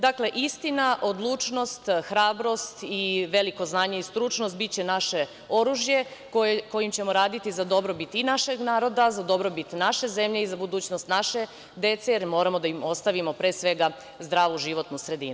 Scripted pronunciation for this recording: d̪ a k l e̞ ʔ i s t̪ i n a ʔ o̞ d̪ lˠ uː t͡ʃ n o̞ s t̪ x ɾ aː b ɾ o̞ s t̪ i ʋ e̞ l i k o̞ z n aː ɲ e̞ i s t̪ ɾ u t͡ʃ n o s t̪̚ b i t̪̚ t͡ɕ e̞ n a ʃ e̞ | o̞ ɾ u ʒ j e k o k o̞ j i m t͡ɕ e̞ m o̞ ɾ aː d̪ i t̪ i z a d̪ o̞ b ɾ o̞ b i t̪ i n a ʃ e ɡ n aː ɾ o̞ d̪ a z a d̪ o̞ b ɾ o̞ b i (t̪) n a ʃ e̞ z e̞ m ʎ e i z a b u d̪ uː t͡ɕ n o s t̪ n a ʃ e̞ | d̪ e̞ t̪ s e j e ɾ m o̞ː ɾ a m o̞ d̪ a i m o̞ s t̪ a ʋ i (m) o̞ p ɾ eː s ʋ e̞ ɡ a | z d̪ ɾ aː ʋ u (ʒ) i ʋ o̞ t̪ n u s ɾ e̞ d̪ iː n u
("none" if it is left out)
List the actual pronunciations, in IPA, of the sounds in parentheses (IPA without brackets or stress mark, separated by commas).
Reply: t̪, m, ʒ